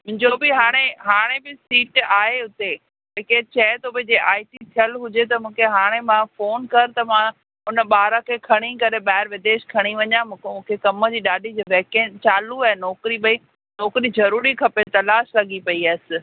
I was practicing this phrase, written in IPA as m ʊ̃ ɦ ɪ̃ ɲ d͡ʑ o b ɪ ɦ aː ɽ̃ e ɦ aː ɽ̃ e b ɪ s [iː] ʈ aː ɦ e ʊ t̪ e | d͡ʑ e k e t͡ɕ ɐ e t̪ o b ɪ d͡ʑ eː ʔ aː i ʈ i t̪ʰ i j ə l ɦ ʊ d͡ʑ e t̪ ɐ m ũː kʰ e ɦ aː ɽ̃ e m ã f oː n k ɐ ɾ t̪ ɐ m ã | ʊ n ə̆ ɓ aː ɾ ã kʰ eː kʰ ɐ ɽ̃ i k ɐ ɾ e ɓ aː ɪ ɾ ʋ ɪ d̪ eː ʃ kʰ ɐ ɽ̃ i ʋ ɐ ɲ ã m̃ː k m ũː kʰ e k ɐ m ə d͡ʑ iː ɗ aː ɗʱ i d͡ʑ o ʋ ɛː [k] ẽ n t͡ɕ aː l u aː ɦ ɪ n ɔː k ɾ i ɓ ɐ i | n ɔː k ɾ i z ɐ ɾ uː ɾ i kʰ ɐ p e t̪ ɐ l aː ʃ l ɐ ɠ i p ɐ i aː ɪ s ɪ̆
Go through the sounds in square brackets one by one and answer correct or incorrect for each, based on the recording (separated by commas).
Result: correct, correct